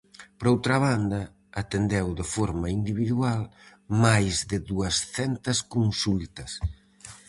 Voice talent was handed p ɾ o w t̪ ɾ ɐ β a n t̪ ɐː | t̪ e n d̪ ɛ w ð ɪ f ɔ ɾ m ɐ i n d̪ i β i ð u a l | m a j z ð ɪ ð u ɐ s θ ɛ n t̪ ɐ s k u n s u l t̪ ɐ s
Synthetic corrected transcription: p ɾ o w t̪ ɾ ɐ β a n d̪ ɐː | t̪ e n d̪ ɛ w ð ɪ f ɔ ɾ m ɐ i n d̪ i β i ð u a l | m a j z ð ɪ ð u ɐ s θ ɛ n t̪ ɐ s k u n s u l t̪ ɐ s